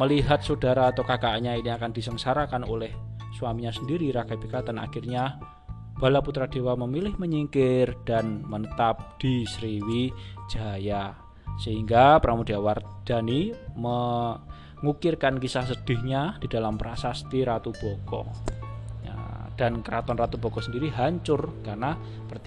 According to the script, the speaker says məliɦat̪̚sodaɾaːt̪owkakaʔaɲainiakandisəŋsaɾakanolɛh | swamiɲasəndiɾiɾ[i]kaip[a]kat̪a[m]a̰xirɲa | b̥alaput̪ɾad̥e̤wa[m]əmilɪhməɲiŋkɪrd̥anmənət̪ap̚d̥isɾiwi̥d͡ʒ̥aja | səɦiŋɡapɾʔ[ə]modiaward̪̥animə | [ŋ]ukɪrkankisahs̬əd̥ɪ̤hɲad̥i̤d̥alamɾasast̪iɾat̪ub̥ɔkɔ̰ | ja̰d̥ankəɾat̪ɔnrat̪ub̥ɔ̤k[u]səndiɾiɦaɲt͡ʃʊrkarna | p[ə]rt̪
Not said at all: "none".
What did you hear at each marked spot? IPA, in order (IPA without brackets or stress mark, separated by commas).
a, i, n, m, a, ŋ, ɔ, ə